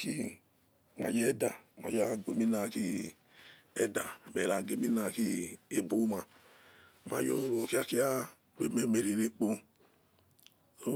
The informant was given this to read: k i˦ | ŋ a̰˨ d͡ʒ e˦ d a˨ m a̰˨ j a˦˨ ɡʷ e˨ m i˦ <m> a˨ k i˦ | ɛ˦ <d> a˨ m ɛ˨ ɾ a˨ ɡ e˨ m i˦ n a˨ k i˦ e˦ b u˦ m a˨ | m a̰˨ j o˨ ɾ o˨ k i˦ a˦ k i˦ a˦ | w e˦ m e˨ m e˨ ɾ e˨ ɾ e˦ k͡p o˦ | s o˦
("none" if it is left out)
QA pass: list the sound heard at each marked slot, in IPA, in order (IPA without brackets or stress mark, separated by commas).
n, d